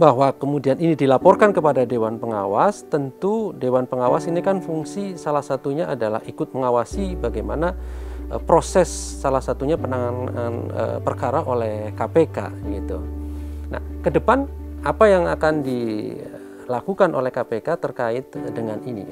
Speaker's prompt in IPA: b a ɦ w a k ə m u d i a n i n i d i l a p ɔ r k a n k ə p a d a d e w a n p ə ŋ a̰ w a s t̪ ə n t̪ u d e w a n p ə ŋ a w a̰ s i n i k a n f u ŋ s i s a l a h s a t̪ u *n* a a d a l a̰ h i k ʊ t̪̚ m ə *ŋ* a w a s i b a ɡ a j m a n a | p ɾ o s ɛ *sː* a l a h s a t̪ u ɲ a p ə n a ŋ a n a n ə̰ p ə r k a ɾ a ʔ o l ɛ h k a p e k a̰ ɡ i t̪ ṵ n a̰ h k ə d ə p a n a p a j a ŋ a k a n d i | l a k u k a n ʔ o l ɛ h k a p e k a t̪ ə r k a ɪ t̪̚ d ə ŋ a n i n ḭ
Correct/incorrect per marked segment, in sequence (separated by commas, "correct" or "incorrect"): incorrect, correct, correct